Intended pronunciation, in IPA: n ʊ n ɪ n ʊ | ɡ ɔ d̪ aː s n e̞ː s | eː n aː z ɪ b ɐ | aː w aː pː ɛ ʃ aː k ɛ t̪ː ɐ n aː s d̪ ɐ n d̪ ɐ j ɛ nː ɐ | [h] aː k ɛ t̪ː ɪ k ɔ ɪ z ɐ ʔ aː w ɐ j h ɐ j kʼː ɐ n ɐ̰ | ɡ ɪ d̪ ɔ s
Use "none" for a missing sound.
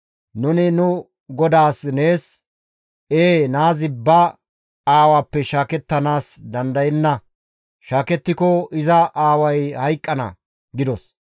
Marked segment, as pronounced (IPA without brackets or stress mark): ʃ